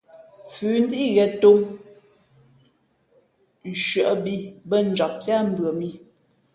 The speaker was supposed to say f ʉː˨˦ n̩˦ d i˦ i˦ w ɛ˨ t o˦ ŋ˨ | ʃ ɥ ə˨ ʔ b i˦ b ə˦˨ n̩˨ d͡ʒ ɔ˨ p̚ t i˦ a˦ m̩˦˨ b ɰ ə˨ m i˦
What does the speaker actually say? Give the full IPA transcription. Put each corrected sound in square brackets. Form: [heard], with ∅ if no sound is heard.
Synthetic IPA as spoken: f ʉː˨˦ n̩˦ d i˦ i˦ [ɣ] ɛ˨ t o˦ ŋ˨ | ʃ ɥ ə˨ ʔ b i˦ b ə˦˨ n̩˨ d͡ʒ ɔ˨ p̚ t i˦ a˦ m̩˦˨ b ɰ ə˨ m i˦